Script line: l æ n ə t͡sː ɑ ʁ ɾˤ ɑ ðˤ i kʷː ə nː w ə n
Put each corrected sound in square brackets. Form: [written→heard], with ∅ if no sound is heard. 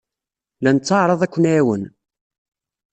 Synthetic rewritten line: l æ n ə t͡sː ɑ [ʁ→ʕ] ɾˤ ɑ ðˤ [i→æ] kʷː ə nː w ə n